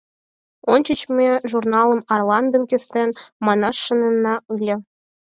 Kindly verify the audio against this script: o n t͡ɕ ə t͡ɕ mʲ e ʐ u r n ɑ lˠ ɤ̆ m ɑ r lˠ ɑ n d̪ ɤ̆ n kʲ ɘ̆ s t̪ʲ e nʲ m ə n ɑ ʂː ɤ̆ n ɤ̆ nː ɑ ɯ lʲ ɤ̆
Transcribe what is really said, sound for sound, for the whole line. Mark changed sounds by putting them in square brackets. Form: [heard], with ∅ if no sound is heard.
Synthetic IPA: o n t͡ɕ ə t͡ɕ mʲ e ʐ u r n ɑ lˠ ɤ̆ m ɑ r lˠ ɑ n d̪ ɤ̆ n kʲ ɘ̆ s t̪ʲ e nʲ m [ɑ] n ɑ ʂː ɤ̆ n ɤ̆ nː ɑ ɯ lʲ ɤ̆